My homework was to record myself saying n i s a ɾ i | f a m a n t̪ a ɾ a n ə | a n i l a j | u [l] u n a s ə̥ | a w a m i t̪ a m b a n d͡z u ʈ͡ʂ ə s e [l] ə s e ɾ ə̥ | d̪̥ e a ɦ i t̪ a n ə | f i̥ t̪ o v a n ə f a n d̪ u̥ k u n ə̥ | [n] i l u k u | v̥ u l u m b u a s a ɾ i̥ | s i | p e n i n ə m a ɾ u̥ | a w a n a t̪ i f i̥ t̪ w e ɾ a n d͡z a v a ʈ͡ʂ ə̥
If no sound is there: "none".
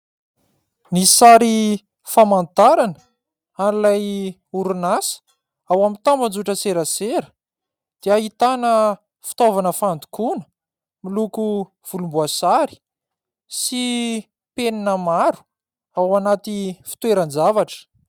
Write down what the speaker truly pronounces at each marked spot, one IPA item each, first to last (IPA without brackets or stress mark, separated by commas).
ɾ, ɾ, m